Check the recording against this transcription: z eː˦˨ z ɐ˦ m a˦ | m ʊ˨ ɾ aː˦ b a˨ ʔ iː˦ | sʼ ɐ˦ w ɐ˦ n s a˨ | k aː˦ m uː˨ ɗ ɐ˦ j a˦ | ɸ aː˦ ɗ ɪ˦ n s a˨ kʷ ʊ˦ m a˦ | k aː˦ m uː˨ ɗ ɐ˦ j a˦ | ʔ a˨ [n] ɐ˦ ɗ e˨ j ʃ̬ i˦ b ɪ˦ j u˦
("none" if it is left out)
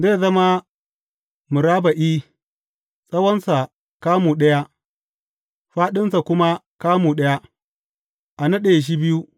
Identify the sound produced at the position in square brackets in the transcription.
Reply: n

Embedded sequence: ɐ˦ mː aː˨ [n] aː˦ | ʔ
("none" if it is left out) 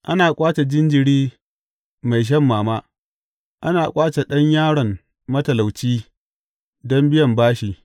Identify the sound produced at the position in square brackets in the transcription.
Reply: m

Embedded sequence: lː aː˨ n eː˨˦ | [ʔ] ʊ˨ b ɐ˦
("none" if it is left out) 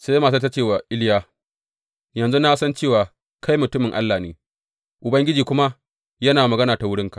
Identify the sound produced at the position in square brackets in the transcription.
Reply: ʔ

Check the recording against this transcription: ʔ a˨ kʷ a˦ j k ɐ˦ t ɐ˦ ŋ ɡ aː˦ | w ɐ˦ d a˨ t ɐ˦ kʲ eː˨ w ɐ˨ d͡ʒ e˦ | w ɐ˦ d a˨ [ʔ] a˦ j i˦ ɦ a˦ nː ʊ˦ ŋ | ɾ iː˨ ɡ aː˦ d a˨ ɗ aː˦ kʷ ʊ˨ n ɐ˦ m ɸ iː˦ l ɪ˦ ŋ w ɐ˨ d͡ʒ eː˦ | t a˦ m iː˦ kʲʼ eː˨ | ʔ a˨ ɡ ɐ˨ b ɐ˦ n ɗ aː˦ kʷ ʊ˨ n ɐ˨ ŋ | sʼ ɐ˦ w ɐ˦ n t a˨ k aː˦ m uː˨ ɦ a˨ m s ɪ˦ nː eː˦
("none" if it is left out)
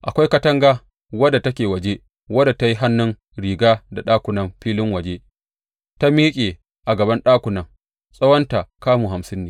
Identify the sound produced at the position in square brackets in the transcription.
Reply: t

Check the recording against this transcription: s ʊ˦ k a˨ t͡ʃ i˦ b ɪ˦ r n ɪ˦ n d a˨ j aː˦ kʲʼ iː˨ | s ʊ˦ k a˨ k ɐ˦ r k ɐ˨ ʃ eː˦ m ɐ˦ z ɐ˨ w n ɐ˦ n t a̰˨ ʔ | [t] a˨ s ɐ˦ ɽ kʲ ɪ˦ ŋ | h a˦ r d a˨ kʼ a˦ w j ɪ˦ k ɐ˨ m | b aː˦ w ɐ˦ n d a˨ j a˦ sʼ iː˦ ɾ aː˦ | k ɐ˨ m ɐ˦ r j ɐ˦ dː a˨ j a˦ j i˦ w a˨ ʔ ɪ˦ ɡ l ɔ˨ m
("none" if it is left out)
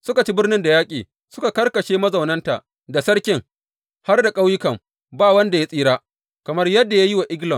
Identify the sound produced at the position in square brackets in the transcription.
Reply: d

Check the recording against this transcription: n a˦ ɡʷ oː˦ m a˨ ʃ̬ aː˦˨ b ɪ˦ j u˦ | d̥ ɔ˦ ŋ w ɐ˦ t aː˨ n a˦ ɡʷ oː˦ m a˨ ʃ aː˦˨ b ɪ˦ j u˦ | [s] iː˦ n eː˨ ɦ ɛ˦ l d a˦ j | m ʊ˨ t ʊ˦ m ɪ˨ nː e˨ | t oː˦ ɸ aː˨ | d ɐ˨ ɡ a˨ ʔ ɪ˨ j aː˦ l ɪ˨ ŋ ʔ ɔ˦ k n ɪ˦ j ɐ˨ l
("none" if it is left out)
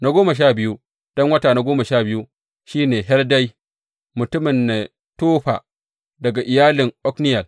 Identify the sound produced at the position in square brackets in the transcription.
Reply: ʃ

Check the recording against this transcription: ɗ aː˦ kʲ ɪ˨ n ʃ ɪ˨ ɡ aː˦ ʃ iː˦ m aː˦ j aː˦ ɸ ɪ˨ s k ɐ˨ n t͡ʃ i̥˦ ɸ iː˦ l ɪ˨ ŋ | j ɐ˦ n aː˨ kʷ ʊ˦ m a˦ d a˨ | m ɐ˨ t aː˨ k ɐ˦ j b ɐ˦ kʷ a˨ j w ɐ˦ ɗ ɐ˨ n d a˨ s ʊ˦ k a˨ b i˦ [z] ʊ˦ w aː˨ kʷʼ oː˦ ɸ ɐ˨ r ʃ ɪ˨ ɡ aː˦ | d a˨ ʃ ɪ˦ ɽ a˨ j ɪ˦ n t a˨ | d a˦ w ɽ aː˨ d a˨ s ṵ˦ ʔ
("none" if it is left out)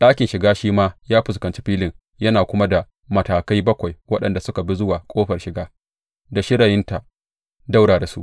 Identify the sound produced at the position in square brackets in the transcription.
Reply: z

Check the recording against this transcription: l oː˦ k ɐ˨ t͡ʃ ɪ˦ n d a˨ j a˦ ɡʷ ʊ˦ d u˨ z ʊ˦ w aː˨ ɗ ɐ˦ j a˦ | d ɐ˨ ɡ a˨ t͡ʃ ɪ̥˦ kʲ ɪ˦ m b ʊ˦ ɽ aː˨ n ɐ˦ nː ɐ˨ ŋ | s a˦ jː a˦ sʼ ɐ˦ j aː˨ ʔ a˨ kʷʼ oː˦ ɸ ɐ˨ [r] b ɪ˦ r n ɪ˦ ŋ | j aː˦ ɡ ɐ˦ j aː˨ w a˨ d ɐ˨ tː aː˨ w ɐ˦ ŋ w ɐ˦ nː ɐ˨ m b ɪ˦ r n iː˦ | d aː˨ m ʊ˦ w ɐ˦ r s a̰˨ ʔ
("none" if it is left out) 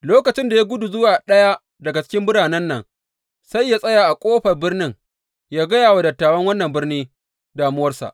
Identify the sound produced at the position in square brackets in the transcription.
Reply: r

